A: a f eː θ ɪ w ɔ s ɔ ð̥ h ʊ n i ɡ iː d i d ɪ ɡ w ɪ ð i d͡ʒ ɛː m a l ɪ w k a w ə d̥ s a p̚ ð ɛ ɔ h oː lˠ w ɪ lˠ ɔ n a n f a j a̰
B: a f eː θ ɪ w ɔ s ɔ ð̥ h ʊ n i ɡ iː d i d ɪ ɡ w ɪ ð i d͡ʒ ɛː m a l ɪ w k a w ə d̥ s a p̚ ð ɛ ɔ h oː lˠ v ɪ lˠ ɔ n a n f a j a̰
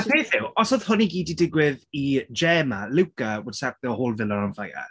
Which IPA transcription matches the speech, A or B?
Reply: B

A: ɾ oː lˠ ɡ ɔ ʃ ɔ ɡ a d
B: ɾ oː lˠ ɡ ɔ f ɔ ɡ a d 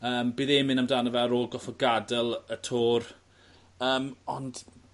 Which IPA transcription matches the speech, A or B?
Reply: B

